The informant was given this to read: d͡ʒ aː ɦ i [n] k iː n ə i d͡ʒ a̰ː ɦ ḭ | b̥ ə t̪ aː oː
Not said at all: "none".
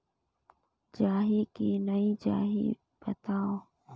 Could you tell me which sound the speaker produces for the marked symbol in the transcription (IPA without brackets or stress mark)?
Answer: none